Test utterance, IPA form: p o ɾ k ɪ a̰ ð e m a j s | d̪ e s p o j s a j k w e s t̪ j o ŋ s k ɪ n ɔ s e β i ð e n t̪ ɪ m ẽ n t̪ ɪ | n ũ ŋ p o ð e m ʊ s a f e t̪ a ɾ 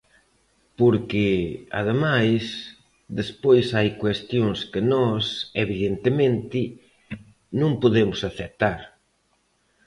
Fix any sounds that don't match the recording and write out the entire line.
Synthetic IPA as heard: p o ɾ k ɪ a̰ ð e m a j s | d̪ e s p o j s a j k w e s t̪ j o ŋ s k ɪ n ɔ s e β i ð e n t̪ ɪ m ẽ n t̪ ɪ | n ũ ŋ p o ð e m ʊ s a θ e t̪ a ɾ